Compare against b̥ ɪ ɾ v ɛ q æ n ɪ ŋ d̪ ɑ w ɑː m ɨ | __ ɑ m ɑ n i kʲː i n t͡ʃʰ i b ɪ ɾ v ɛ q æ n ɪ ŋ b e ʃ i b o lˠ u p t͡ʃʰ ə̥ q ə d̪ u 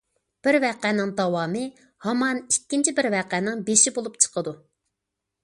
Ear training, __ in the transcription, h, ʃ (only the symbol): h